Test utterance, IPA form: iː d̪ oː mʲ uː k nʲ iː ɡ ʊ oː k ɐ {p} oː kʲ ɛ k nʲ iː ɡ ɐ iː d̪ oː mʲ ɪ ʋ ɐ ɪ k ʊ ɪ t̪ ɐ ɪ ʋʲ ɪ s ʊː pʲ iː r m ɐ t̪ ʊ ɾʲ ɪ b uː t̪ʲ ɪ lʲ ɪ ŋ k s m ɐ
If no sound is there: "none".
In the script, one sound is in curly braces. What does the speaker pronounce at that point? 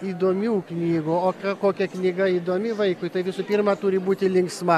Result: k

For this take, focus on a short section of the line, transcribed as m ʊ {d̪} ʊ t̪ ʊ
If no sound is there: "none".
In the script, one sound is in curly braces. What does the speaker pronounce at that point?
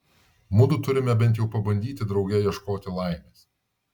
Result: d̪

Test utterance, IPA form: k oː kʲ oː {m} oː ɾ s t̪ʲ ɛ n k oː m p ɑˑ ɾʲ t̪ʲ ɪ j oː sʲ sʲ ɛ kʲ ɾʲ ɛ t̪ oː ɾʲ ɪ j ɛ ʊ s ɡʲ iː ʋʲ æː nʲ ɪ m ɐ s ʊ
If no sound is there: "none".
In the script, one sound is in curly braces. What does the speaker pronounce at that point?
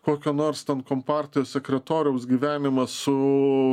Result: n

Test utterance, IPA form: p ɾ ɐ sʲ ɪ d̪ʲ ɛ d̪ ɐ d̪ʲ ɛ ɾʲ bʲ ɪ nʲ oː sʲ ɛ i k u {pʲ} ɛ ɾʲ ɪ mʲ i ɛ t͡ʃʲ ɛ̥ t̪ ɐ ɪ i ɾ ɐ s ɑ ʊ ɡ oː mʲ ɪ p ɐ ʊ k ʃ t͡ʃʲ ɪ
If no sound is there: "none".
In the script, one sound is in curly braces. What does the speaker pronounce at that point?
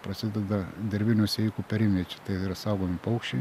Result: pʲ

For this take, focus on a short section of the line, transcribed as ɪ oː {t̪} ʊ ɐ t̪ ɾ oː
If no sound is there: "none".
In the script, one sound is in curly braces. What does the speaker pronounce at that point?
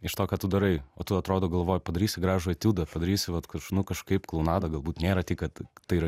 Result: t̪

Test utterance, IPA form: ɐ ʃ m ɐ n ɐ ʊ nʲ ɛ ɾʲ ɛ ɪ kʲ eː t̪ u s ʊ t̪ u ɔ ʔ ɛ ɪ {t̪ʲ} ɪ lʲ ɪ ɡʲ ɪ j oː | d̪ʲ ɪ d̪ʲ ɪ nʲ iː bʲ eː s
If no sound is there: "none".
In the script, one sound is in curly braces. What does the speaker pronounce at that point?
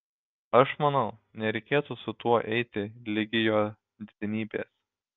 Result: t̪ʲ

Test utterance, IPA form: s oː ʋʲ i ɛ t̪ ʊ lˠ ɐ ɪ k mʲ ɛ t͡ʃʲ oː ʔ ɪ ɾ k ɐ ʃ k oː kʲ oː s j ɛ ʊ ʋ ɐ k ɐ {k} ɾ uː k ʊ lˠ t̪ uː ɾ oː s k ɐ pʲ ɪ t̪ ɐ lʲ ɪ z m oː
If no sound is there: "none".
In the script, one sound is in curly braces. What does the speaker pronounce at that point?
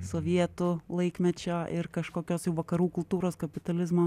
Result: none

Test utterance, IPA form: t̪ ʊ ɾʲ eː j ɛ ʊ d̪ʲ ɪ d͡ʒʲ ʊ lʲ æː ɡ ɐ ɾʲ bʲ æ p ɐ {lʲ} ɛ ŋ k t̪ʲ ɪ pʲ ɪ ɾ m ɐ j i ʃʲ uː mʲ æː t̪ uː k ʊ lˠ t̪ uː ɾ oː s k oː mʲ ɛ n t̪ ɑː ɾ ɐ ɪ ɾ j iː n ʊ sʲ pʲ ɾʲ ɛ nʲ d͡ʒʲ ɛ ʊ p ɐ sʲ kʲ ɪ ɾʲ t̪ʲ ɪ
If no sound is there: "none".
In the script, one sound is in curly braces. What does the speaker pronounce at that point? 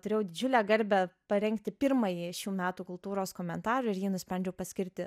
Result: ɾʲ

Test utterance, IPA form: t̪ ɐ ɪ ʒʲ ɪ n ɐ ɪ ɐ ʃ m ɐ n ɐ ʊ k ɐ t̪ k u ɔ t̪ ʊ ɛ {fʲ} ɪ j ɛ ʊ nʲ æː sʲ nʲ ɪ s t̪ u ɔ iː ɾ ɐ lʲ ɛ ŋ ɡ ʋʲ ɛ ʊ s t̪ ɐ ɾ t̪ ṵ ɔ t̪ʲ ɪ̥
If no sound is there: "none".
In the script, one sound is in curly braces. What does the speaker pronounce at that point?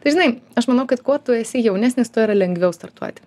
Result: sʲ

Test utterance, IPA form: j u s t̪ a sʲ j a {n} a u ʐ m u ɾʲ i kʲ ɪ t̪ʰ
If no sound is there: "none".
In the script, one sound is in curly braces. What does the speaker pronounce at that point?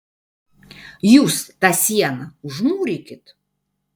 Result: n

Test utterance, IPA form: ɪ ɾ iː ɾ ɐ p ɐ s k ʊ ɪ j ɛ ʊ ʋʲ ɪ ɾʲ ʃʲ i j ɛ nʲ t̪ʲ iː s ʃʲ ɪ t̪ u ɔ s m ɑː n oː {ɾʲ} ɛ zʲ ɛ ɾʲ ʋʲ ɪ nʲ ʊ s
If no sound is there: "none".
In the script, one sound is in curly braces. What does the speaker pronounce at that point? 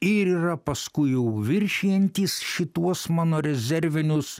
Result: ɾʲ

